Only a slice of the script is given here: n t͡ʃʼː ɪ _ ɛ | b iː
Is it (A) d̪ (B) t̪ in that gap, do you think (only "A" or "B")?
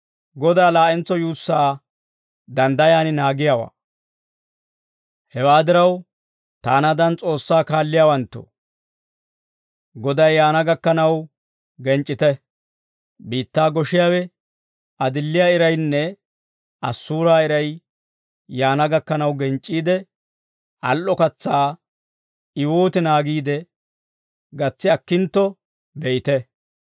B